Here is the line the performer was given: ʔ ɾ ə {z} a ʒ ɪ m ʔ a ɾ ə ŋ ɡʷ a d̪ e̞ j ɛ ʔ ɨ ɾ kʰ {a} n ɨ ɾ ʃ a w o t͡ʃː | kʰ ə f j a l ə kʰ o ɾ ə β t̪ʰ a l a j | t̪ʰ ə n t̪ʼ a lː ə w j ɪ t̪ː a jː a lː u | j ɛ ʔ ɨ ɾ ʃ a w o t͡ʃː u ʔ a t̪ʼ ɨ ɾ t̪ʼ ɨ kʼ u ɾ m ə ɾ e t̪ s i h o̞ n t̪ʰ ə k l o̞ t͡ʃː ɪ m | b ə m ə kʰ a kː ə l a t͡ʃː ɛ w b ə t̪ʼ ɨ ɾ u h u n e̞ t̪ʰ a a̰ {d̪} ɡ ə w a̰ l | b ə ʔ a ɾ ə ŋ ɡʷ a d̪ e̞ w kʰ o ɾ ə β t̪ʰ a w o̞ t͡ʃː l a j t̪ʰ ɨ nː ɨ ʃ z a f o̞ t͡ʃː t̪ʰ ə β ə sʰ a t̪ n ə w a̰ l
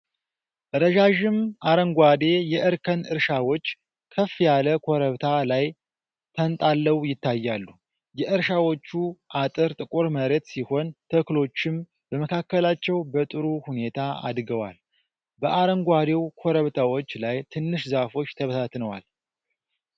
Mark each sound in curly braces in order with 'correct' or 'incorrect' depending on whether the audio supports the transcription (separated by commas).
incorrect, incorrect, correct